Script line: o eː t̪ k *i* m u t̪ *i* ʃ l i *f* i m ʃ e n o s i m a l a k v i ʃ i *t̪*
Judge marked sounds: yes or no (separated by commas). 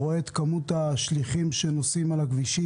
no, no, no, no